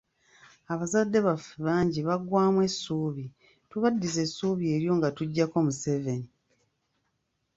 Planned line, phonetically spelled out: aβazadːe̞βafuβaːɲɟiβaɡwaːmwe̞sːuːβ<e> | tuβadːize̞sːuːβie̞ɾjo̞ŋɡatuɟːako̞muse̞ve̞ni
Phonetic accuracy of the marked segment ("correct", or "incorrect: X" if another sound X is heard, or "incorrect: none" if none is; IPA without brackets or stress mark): incorrect: i